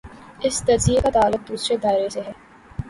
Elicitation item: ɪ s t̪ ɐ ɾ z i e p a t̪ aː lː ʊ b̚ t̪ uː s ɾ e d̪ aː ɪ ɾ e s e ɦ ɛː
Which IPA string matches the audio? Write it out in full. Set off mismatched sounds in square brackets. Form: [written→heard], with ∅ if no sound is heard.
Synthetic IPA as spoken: ɪ s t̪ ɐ ɾ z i e [p→k] a t̪ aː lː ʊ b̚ [t̪→d̪] uː s ɾ e d̪ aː ɪ ɾ e s e ɦ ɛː